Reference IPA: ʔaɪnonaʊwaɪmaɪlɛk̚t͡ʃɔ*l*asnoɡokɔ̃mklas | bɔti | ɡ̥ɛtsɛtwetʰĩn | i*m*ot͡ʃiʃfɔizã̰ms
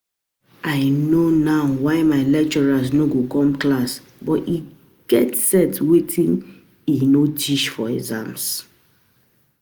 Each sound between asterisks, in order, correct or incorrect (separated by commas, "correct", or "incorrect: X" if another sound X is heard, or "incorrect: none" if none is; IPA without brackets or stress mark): incorrect: ɹ, incorrect: n